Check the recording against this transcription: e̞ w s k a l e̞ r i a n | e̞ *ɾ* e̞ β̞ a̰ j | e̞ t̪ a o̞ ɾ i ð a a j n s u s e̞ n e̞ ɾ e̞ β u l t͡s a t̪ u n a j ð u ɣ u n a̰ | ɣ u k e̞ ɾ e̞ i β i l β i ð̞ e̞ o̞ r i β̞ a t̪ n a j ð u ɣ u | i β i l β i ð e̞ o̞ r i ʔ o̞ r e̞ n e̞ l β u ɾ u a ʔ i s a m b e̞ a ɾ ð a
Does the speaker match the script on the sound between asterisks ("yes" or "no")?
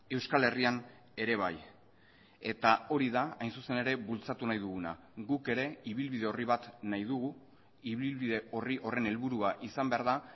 yes